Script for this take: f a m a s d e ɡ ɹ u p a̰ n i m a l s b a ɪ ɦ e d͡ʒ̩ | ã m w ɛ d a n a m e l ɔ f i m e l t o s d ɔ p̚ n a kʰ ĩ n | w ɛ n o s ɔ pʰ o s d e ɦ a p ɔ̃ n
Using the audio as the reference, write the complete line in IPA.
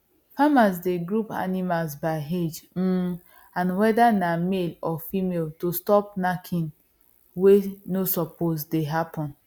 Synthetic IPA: f a m a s d e ɡ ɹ u p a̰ n i m a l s b a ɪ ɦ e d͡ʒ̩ | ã n w ɛ d a n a m e l ɔ f i m e l t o s t ɔ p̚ n a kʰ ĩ n | w e n o s ɔ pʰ o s d e ɦ a p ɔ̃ n